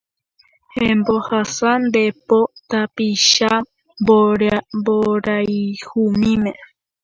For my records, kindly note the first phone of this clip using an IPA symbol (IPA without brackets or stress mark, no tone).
h